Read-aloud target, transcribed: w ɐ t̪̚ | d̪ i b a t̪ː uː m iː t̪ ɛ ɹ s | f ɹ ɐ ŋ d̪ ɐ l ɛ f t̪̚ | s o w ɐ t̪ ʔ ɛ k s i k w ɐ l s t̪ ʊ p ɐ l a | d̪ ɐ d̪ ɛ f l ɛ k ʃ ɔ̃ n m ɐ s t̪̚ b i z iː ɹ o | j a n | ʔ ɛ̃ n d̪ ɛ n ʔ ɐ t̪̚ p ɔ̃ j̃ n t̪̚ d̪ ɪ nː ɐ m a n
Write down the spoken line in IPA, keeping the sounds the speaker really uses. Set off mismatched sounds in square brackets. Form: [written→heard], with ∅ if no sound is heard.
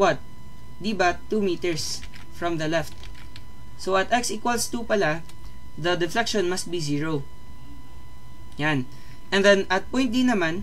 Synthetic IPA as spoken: w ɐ t̪̚ | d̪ i b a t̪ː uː m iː t̪ ɛ ɹ s | f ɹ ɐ [ŋ→m] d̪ ɐ l ɛ f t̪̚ | s o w ɐ t̪ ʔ ɛ k s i k w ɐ l s t̪ [ʊ→u] p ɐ l a | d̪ ɐ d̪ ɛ f l ɛ k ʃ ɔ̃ n m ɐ s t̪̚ b i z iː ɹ o | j a n | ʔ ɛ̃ n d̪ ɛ n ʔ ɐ t̪̚ p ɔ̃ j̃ n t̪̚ d̪ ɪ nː ɐ m a n

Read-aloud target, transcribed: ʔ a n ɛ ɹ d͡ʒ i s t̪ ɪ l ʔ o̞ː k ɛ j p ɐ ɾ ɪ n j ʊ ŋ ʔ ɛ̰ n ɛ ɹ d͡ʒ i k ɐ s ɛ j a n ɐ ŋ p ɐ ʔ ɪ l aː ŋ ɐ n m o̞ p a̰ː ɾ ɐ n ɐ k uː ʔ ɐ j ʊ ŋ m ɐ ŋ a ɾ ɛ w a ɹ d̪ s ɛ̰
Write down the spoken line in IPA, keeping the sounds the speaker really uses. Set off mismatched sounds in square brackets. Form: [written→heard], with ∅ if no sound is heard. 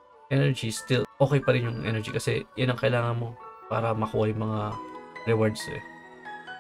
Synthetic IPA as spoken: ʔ [a→ɛ] n ɛ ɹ d͡ʒ i s t̪ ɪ l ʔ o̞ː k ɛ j p ɐ ɾ ɪ n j ʊ ŋ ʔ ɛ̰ n ɛ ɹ d͡ʒ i k ɐ s ɛ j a n ɐ ŋ [p→k] ɐ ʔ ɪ l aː ŋ ɐ n m o̞ p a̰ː ɾ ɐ [n→m] ɐ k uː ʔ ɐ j ʊ ŋ m ɐ ŋ a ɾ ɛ w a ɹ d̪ s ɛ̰

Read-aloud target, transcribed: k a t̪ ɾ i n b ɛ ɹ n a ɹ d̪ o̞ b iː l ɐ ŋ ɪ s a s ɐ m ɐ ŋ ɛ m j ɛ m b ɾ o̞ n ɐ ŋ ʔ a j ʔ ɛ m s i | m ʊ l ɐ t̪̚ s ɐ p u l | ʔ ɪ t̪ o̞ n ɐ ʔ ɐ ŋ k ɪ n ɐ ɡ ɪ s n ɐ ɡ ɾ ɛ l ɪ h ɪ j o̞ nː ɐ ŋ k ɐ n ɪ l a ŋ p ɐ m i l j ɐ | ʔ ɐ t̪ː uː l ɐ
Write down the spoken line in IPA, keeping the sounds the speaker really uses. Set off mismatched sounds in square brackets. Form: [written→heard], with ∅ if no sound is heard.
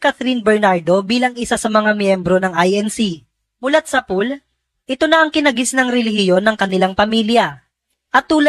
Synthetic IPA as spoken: k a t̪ ɾ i n b ɛ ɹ n a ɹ d̪ o̞ b iː l ɐ ŋ ɪ s a s ɐ m ɐ ŋ [ɛ→a] m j ɛ m b ɾ o̞ n ɐ ŋ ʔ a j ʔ ɛ [m→n] s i | m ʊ l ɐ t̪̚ s ɐ p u l | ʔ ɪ t̪ o̞ n ɐ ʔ ɐ ŋ k ɪ n ɐ ɡ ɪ s n ɐ [ɡ→ŋ] ɾ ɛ l ɪ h ɪ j o̞ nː ɐ ŋ k ɐ n ɪ l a ŋ p ɐ m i l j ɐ | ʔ ɐ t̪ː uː l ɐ

